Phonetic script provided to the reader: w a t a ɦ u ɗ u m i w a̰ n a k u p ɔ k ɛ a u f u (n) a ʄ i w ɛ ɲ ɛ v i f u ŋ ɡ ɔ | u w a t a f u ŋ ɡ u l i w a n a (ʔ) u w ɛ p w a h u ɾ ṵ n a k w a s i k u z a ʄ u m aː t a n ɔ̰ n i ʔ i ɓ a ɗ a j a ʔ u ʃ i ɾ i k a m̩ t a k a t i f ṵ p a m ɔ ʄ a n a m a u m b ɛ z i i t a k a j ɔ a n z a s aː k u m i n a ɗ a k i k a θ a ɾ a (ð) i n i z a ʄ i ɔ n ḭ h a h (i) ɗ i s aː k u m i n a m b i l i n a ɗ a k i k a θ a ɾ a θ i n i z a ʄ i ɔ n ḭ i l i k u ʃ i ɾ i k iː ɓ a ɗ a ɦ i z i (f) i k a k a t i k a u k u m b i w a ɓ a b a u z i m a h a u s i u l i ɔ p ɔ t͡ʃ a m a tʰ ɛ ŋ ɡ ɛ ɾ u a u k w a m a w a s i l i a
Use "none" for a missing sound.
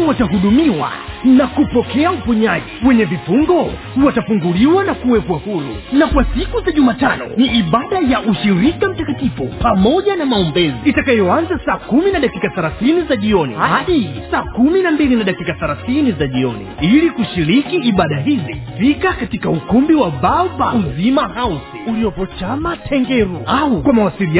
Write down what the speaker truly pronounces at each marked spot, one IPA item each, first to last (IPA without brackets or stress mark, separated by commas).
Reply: ɲ, k, θ, a, f